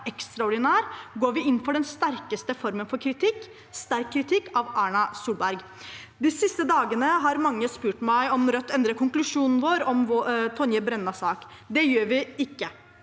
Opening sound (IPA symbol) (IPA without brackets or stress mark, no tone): ɛ